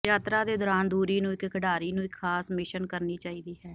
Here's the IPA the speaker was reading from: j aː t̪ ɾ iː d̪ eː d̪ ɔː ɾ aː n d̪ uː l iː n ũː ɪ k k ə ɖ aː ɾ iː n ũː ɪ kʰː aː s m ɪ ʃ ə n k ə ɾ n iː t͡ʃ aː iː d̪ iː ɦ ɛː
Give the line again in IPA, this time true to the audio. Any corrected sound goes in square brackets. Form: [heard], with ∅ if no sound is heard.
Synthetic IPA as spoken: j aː t̪ ɾ [aː] d̪ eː d̪ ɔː ɾ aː n d̪ uː [ɾ] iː n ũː ɪ k k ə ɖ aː ɾ iː n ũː ɪ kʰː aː s m ɪ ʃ ə n k ə ɾ n iː t͡ʃ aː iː d̪ iː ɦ ɛː